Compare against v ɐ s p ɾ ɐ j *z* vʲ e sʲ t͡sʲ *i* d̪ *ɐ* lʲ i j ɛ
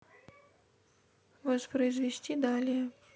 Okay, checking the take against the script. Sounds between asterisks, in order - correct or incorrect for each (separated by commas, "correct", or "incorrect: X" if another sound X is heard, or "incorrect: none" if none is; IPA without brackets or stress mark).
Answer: correct, correct, incorrect: a